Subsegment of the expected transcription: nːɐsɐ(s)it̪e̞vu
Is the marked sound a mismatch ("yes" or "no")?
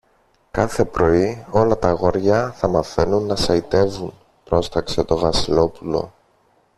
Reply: yes